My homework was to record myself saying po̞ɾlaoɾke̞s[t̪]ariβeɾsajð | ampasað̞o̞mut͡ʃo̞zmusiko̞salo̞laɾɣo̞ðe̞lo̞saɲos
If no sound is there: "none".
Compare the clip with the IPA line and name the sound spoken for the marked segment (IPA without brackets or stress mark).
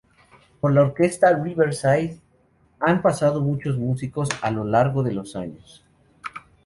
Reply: t̪